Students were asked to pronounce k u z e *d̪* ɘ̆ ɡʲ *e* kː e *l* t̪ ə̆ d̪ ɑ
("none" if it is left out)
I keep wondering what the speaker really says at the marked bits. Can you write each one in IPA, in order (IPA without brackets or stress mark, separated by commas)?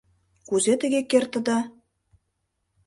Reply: t̪, e, r